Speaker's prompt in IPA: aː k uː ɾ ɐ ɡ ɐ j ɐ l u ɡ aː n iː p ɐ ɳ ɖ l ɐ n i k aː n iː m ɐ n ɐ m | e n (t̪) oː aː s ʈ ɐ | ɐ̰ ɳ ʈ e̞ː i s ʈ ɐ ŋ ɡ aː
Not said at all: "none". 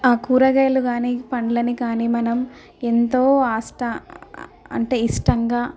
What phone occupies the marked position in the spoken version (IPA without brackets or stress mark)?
t̪